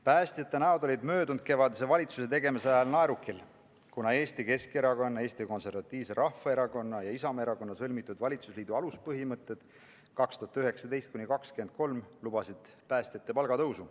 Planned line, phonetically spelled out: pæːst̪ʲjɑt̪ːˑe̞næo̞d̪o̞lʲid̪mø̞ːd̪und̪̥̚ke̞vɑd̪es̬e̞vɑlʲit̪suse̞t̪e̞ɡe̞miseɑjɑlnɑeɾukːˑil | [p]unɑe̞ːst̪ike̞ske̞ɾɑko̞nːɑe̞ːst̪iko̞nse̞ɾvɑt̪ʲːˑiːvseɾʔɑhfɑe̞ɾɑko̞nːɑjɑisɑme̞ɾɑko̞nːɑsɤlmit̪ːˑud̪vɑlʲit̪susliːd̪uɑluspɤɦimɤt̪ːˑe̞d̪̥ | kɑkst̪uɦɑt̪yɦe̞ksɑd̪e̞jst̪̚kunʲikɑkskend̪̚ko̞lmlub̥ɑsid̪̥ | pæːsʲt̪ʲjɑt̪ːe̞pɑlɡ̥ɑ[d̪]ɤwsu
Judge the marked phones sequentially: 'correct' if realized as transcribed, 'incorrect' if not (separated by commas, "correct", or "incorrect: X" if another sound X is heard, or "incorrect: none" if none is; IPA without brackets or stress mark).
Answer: incorrect: k, incorrect: t̪